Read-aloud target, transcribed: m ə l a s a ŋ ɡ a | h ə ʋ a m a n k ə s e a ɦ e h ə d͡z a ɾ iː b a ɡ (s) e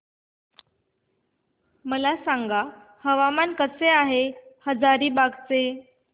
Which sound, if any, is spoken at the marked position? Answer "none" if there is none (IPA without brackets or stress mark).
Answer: t͡s